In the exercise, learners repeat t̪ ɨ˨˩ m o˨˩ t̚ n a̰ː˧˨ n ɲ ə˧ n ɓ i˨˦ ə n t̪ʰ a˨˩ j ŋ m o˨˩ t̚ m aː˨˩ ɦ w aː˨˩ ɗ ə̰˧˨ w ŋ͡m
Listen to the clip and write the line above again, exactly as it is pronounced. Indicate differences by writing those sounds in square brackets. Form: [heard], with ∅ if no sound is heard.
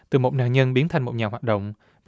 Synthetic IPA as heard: t̪ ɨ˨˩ m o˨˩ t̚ n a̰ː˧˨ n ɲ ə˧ n ɓ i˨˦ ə n t̪ʰ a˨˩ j ŋ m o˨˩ t̚ [ɲ] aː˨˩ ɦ w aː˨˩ ɗ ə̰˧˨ w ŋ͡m